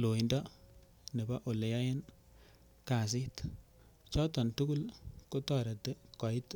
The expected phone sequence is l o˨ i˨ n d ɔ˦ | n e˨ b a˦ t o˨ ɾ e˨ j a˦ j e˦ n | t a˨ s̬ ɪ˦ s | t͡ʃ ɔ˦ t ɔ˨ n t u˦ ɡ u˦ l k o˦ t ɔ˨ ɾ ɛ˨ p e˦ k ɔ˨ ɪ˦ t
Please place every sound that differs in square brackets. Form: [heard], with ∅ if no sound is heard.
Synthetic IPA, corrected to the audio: l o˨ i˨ n d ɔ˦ | n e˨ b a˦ [ʔ] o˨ [l] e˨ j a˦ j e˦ n | [k] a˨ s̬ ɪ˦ [t] | t͡ʃ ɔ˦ t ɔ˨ n t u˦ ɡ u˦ l k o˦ t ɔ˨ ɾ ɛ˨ [t] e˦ k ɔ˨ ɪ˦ t